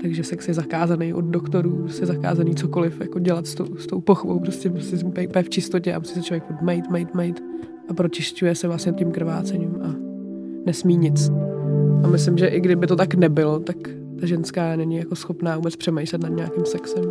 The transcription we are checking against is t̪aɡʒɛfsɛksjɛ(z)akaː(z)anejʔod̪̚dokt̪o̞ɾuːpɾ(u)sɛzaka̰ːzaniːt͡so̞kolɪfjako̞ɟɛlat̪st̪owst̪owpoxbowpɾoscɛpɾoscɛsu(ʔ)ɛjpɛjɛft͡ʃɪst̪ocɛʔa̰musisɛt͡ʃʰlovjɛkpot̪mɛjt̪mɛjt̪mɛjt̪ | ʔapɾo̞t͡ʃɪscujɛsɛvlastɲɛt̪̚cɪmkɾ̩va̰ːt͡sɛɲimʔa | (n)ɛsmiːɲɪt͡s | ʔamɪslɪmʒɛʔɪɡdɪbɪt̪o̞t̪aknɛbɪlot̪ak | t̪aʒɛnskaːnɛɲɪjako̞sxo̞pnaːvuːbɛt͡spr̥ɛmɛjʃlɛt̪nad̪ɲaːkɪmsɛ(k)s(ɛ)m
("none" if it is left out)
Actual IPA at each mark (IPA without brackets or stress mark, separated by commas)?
z, z, o, p, n, k, ɛ